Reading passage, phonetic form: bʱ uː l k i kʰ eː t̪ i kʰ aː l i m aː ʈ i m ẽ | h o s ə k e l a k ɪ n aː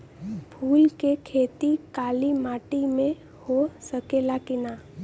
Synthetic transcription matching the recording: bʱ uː l k e kʰ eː t̪ i k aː l i m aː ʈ i m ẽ | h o s ə k e l a k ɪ n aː